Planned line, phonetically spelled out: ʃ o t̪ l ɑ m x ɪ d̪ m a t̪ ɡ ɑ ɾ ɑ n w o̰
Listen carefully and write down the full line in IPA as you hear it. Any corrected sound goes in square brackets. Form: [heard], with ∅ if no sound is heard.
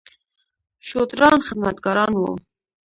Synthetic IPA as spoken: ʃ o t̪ [ɾ] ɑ [n] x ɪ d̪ m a t̪ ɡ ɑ ɾ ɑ n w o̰